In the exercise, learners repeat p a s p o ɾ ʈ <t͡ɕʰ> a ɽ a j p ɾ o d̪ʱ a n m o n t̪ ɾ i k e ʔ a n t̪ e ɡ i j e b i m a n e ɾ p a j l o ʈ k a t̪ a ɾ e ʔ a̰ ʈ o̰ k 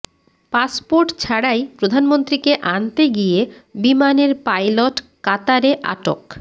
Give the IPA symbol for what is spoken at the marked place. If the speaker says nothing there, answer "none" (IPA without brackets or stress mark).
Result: t͡ɕʰ